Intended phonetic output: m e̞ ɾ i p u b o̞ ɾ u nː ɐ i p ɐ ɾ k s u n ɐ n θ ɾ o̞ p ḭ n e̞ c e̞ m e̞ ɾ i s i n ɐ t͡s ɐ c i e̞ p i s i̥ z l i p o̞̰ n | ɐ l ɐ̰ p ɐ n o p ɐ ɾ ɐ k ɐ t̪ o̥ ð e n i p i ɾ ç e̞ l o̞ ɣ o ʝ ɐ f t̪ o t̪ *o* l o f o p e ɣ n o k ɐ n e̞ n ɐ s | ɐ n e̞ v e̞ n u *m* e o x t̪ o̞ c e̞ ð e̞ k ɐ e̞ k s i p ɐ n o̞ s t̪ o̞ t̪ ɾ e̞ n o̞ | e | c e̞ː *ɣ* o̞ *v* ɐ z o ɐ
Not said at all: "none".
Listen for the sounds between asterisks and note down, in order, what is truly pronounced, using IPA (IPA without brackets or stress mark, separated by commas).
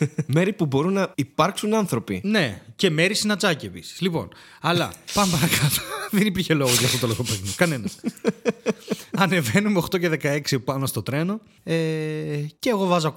o, m, ɣ, v